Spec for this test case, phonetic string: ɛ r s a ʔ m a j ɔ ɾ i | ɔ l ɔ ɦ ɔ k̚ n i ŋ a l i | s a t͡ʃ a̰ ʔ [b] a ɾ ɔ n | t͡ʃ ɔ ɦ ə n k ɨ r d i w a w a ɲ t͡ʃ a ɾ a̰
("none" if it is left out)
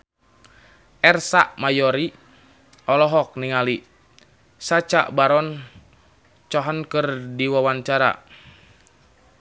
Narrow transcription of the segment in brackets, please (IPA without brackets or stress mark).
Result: b